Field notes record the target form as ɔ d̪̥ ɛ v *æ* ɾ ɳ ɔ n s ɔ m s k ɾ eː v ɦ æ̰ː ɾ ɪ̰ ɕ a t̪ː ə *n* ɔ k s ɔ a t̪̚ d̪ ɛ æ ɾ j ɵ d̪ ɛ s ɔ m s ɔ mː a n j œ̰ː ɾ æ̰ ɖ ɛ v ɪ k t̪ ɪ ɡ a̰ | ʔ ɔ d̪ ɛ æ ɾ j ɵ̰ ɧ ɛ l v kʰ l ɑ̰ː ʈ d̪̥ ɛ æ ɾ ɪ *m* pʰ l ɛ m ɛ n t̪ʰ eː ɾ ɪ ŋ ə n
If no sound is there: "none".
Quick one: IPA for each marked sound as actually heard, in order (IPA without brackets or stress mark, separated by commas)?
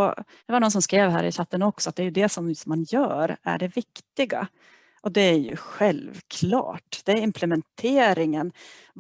a, n, m